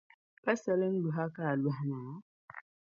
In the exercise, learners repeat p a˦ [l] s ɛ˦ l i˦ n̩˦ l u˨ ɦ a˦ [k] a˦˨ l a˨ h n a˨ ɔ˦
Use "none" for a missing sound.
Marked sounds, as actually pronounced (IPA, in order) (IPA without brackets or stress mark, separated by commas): none, k